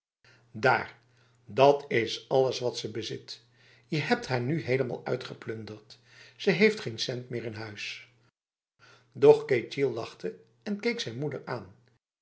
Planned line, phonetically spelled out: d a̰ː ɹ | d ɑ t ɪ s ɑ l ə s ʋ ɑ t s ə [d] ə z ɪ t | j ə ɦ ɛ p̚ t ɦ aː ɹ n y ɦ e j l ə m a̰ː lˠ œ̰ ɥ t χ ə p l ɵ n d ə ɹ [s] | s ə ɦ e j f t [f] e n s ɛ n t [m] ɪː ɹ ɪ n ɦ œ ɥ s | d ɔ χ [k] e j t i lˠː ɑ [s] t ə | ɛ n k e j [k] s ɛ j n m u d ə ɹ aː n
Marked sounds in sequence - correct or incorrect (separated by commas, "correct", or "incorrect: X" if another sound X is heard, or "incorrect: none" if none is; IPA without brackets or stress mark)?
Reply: incorrect: b, incorrect: t, incorrect: χ, correct, correct, incorrect: χ, correct